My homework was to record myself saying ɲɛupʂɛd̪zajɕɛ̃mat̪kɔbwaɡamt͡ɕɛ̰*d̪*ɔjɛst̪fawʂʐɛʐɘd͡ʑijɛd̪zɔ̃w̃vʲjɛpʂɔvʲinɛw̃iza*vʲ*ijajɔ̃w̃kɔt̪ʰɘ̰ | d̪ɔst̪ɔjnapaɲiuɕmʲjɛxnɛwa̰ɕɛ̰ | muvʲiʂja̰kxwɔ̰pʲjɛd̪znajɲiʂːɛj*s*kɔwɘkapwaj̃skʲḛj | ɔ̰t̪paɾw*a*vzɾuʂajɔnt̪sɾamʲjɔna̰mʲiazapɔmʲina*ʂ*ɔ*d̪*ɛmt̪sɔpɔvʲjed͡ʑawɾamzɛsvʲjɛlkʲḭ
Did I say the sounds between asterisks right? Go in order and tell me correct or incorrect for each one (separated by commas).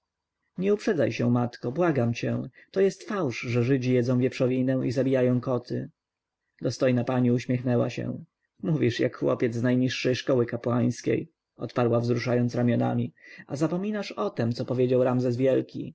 incorrect, incorrect, incorrect, correct, correct, incorrect